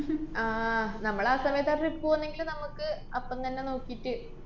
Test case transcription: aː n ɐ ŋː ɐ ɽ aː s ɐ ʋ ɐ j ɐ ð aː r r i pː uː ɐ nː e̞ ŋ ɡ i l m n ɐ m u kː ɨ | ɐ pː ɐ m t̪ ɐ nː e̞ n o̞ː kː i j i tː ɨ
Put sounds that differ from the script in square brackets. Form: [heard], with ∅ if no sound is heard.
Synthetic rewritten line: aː n ɐ [mː] ɐ [ɭ] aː s ɐ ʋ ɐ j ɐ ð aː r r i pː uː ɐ nː e̞ ŋ ɡ i l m n ɐ m u kː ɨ | ɐ pː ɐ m t̪ ɐ nː e̞ n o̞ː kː i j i tː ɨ

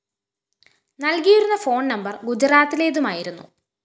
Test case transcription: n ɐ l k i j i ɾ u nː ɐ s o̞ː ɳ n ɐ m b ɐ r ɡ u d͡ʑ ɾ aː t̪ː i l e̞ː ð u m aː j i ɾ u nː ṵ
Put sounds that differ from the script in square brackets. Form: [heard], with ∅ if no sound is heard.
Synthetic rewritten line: n ɐ l k i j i ɾ u nː ɐ [f] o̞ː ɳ n ɐ m b ɐ r ɡ u d͡ʑ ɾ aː t̪ː i l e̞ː ð u m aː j i ɾ u nː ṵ

